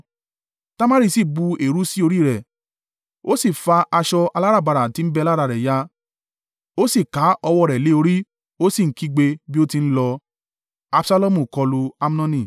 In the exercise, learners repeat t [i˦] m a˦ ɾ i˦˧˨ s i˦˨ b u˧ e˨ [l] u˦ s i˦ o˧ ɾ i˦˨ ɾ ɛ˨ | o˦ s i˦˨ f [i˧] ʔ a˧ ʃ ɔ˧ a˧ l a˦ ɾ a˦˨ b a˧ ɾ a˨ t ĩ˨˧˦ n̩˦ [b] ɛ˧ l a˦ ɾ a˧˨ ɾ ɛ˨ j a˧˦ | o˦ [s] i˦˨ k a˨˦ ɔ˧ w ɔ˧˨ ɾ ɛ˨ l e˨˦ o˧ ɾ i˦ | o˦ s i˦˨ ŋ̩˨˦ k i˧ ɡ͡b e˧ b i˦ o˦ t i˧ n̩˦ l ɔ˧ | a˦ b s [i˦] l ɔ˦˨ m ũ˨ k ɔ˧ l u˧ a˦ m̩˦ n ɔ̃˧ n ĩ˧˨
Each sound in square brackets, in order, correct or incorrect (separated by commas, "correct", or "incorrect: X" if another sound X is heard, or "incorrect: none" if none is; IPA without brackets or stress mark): incorrect: a˦, incorrect: ɾ, incorrect: a˧, correct, correct, incorrect: a˦